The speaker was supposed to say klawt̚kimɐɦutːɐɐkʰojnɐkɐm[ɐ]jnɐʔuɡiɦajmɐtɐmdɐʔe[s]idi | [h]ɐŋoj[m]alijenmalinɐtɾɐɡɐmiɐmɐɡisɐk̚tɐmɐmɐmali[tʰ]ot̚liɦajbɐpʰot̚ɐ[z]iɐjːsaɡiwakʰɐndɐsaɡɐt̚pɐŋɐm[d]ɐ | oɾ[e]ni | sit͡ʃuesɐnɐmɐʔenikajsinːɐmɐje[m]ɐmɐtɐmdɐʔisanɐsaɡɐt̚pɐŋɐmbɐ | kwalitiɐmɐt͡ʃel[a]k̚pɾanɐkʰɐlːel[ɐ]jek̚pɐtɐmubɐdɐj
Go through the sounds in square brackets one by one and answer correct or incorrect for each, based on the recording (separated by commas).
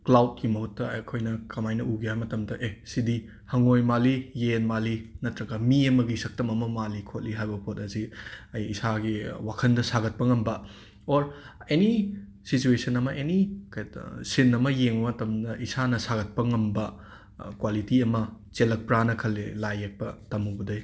incorrect, correct, correct, correct, incorrect, correct, incorrect, correct, incorrect, incorrect, incorrect